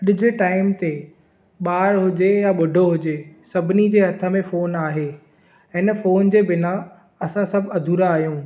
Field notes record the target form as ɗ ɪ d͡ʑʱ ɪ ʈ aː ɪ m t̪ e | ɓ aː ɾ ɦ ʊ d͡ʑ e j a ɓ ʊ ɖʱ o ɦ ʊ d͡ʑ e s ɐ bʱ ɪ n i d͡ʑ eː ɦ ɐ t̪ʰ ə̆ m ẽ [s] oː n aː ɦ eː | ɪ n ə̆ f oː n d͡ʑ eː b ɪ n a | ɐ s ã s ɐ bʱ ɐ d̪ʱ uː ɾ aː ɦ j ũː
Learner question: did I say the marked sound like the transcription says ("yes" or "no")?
no